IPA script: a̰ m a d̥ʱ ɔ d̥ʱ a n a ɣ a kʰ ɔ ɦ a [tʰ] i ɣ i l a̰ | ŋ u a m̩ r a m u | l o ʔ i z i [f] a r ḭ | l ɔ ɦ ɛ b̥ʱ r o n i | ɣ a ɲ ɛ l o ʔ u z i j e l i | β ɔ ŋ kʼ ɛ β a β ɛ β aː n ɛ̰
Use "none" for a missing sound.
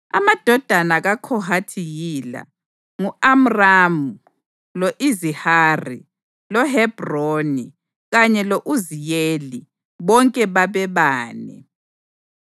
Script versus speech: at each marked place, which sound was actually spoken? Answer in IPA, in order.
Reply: tʰ, h

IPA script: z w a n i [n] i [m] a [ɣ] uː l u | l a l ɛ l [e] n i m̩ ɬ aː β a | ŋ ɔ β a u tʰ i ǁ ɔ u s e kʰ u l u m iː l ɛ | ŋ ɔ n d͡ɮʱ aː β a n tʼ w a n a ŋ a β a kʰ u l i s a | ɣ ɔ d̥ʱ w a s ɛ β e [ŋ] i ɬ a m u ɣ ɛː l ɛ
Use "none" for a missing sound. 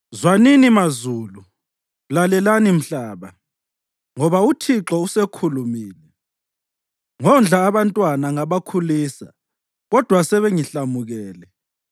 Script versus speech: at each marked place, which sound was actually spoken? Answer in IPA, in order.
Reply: n, m, z, a, ŋ

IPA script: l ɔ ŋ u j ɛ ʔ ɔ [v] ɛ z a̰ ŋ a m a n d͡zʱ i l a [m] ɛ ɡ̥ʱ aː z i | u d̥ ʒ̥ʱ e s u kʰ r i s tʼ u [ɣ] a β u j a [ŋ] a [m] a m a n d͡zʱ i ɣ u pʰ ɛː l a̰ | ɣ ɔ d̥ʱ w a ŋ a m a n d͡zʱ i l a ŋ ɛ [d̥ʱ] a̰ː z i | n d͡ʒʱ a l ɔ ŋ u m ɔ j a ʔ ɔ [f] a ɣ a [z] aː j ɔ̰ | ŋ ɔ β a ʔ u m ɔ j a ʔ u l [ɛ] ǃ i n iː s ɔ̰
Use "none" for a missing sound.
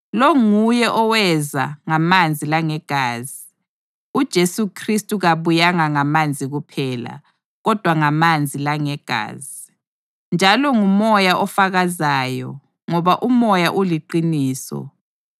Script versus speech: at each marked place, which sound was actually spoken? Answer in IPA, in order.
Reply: w, ŋ, ɣ, ŋ, ŋ, ɡ̥ʱ, f, z, i

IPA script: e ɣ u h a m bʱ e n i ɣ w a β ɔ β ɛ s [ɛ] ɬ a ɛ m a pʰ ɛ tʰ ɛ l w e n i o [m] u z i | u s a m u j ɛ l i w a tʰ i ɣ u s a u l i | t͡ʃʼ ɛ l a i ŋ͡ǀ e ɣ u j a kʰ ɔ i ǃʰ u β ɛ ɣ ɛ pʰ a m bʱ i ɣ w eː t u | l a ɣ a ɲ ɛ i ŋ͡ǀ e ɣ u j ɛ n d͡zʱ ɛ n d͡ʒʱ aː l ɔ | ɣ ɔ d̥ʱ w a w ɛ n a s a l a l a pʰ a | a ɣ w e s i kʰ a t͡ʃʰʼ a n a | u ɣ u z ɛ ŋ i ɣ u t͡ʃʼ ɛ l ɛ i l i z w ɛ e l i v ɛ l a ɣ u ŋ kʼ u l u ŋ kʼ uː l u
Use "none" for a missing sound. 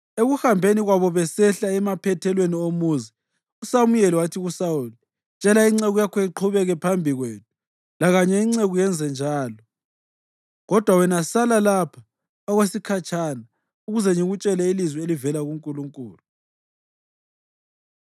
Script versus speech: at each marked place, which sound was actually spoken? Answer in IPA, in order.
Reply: ɛ, m

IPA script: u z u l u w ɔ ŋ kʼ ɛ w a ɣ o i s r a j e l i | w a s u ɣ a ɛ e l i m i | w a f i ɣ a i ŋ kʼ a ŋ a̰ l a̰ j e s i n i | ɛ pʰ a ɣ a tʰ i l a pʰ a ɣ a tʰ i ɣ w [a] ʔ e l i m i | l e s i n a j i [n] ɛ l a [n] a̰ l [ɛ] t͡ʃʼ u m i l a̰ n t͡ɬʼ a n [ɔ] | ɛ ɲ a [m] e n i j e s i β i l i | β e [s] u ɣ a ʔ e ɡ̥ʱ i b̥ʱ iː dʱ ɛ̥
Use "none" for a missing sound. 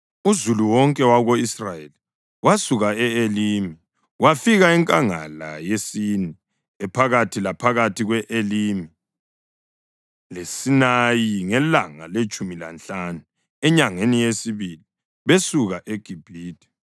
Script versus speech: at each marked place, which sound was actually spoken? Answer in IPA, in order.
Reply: ɛ, ŋ, ŋ, e, u, ŋ, s

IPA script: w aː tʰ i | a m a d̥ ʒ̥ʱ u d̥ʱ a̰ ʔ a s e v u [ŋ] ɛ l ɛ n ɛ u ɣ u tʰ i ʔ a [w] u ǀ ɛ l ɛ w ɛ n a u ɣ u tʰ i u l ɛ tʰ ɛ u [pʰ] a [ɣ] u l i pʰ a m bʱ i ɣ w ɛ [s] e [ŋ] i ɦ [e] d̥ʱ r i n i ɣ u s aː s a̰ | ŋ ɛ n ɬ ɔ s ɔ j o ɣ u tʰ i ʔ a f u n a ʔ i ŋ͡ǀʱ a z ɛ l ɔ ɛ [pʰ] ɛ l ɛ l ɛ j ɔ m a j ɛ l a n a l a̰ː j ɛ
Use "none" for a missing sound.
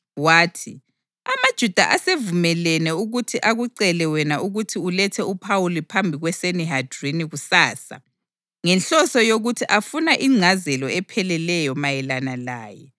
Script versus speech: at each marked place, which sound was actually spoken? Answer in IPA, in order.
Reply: m, ɣ, pʰ, w, s, n, a, pʰ

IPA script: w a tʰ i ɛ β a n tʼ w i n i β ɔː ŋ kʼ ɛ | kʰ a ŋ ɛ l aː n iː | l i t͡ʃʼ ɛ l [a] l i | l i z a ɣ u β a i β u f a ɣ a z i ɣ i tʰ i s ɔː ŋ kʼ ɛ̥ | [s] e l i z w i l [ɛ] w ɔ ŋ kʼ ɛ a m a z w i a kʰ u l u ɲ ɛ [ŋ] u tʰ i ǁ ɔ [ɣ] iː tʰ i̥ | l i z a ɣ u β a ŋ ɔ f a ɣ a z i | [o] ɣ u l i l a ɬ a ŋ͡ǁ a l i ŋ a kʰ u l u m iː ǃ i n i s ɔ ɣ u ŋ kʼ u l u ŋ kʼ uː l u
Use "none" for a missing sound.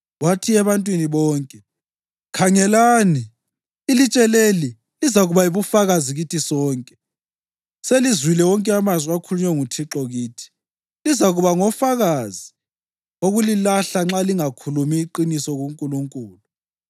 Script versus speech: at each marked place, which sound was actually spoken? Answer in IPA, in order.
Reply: e, s, ɛ, ŋ, ɣ, o

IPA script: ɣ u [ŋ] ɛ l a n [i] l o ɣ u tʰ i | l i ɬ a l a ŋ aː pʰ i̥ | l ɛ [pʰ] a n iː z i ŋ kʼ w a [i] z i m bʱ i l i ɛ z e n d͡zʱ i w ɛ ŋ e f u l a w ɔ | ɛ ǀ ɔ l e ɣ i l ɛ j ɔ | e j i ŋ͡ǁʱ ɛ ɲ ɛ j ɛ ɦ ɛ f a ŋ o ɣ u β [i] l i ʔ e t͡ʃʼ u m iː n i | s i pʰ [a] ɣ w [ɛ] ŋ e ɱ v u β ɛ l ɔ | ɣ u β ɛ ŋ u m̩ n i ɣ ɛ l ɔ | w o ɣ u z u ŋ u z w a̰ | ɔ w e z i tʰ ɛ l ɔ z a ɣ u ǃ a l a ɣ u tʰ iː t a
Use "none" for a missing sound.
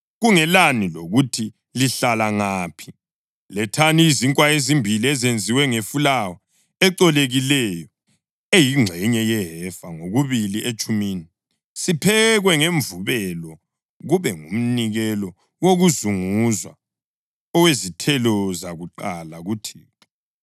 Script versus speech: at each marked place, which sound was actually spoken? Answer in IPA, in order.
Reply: ŋ, i, tʰ, e, i, ɛ, ɛ

